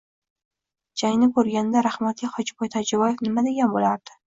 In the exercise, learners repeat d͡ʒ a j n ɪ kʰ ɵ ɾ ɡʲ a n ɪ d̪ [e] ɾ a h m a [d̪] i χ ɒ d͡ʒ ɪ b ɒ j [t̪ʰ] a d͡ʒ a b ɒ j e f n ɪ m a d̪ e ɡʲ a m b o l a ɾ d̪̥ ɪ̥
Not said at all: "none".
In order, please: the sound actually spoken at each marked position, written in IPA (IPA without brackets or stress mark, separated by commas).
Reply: a, t̪, t̪ʰ